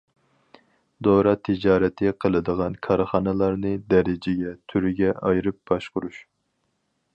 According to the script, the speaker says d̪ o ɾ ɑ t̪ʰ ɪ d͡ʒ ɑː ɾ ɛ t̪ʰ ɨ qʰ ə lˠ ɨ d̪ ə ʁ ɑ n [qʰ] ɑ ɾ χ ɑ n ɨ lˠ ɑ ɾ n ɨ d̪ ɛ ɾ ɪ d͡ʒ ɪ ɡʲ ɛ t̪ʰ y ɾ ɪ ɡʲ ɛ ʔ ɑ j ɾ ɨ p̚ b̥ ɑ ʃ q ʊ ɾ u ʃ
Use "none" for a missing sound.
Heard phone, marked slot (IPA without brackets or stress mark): kʰ